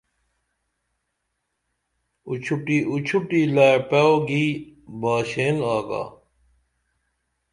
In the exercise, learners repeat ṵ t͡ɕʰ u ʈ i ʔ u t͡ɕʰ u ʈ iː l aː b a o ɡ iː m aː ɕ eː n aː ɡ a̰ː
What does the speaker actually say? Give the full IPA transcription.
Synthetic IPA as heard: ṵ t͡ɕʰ u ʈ i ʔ u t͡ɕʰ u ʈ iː l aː p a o ɡ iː b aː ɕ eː n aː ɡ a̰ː